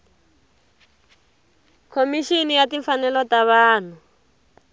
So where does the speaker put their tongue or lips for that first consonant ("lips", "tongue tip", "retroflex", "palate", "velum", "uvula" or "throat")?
velum